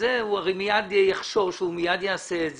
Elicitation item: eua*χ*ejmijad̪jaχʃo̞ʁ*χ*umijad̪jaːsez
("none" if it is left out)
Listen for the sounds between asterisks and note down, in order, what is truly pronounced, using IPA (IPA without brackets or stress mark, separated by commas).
ʁ, ʃ